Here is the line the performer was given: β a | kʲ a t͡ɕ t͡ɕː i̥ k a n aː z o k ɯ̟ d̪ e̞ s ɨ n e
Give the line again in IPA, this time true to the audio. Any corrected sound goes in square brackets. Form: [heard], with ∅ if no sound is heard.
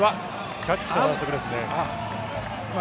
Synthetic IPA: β a | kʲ a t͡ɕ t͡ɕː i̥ k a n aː [s] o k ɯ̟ d̪ e̞ s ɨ n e